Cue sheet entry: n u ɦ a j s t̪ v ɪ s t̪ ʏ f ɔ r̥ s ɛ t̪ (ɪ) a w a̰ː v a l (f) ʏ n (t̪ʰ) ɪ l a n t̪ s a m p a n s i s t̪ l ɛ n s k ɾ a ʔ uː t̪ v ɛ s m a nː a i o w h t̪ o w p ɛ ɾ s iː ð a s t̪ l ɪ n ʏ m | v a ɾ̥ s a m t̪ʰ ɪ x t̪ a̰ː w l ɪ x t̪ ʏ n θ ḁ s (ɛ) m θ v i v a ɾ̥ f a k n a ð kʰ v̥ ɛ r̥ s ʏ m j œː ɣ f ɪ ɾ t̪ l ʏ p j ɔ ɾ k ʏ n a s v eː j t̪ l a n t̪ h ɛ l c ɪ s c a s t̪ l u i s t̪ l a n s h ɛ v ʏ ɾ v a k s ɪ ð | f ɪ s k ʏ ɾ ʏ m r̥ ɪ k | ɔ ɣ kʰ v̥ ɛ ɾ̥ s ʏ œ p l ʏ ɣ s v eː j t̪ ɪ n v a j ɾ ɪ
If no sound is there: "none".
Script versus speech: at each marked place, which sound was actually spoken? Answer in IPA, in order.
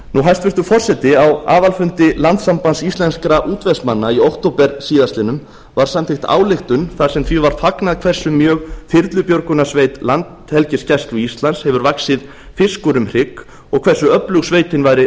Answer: ɪ, f, t̪, ɛ

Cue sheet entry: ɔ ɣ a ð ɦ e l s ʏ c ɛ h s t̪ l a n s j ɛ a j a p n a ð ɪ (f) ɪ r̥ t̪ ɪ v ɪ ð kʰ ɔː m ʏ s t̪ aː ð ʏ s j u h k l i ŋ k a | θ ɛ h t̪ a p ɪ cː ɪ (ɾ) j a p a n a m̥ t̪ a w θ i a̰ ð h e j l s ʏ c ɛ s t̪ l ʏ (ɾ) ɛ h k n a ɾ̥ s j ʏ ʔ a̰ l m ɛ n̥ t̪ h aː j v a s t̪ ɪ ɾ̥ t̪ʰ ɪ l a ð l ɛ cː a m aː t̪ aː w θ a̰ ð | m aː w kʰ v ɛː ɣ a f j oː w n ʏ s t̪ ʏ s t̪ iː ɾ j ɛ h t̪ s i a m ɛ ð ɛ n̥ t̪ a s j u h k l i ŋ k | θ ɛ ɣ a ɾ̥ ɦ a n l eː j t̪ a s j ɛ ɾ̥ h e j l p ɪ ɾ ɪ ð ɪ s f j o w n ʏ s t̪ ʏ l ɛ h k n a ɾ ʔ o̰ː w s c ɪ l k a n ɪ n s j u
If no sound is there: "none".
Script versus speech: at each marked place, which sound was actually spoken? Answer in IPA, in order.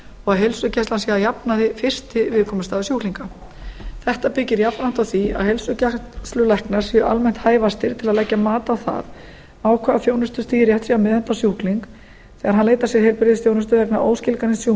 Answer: f, ɾ, l

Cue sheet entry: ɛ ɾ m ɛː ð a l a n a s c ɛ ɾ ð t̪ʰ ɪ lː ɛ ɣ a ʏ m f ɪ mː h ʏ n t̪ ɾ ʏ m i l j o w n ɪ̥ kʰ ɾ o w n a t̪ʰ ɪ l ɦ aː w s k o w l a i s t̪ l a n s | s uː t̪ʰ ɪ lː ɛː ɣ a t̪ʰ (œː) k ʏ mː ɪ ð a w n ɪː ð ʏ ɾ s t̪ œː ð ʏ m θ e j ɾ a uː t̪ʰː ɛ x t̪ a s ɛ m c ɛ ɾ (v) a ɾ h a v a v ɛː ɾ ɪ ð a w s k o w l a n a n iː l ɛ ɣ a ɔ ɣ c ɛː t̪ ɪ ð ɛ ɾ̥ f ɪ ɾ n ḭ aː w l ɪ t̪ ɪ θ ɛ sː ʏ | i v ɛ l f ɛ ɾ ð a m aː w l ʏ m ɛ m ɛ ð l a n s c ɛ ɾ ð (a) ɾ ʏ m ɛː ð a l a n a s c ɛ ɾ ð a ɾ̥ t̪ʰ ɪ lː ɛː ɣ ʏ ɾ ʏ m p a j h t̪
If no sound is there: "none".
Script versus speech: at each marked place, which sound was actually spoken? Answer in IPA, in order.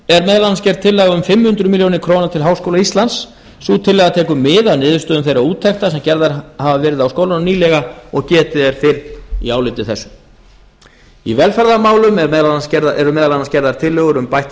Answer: ɛː, ð, ɛ

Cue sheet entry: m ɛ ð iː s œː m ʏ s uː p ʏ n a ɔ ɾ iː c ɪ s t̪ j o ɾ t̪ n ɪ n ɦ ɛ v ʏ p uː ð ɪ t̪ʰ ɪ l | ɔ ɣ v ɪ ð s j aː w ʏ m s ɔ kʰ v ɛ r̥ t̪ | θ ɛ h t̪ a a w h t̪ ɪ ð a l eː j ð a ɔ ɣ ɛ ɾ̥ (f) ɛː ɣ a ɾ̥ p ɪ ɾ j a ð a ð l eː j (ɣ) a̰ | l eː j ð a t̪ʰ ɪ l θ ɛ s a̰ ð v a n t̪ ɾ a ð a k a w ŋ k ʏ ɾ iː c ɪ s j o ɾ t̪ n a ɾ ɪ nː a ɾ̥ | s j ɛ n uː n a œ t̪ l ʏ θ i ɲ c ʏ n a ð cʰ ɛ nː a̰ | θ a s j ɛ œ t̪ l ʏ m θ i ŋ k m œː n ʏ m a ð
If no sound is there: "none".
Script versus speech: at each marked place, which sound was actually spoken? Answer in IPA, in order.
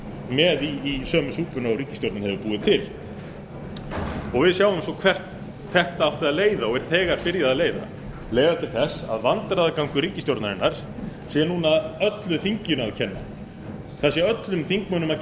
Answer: θ, ð

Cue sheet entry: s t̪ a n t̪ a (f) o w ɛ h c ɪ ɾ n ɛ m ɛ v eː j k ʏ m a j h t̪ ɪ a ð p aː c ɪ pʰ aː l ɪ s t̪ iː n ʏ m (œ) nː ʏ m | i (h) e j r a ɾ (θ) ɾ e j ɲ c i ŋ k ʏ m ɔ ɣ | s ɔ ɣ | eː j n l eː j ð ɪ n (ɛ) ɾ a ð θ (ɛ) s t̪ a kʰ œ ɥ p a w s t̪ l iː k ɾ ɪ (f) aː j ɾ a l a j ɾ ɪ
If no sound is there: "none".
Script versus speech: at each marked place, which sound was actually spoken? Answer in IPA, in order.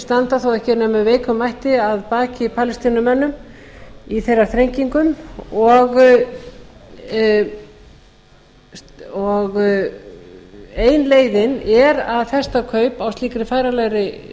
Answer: θ, ɛ, θ, θ, ɛ, ɛ, f

